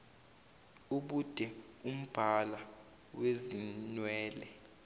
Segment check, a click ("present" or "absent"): absent